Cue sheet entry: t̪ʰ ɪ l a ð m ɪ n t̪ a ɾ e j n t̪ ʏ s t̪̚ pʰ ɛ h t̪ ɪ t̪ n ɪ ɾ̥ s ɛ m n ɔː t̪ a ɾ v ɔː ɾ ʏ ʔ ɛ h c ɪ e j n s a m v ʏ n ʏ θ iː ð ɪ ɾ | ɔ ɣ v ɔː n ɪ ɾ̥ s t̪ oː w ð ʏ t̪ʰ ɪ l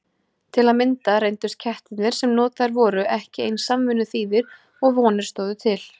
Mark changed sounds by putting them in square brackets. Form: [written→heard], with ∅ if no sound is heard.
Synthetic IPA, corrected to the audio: t̪ʰ ɪ l a ð m ɪ n t̪ a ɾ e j n t̪ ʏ s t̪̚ [pʰ→cʰ] ɛ h t̪ ɪ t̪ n ɪ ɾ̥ s ɛ m n ɔː t̪ a ɾ v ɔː ɾ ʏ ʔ ɛ h c ɪ e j n s a m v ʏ n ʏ θ iː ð ɪ ɾ | ɔ ɣ v ɔː n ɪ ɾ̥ s t̪ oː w ð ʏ t̪ʰ ɪ l